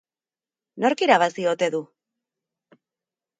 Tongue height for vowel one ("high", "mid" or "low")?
mid